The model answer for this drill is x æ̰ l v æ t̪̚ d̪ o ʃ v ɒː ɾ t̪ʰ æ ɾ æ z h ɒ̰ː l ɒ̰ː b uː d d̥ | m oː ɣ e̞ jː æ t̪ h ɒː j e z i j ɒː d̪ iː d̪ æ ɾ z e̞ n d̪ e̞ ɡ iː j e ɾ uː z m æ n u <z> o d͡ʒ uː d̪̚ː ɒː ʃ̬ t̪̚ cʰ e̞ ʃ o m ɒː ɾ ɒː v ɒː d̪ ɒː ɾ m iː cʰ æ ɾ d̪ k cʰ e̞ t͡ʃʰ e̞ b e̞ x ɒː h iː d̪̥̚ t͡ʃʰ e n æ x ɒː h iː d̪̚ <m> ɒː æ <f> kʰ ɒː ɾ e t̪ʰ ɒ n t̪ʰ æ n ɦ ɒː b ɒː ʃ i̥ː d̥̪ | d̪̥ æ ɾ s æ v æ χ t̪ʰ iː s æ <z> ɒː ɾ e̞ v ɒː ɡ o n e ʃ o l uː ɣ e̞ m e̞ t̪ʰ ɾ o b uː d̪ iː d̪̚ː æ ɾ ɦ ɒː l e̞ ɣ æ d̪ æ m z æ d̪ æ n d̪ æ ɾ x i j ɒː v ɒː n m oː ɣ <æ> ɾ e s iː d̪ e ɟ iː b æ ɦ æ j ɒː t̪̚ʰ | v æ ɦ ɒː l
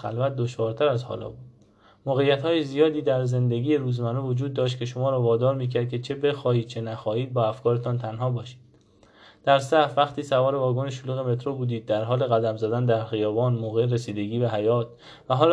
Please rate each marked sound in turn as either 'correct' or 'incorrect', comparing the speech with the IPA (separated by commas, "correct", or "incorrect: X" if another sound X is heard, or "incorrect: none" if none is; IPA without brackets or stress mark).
incorrect: v, incorrect: b, correct, incorrect: v, incorrect: e